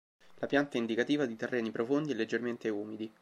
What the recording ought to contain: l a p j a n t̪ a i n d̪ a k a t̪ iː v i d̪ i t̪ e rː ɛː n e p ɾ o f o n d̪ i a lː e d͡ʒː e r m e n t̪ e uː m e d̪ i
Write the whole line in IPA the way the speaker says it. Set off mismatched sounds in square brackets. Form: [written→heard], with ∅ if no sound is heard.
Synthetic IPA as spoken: l a p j a n t̪ a i n d̪ [a→i] k a t̪ iː v [i→a] d̪ i t̪ e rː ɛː n [e→i] p ɾ o f o n d̪ i [a→ɛ] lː e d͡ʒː e r m e n t̪ e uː m [e→i] d̪ i